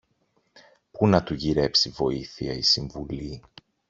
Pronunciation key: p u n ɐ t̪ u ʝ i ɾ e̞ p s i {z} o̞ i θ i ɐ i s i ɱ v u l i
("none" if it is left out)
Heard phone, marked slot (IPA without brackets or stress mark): v